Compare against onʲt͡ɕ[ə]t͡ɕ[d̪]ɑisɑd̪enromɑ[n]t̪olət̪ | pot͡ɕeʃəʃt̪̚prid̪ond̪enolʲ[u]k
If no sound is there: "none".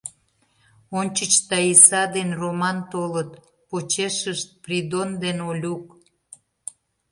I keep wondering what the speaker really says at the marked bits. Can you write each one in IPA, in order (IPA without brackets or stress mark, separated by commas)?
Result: ə, t̪, n, u